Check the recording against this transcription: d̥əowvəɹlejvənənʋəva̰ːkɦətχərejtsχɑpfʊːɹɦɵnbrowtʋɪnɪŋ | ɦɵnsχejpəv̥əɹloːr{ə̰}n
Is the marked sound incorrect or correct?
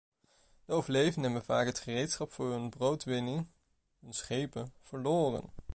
correct